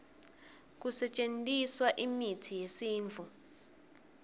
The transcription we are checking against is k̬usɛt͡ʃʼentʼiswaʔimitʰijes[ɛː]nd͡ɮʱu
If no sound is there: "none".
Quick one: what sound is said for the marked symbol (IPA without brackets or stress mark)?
iː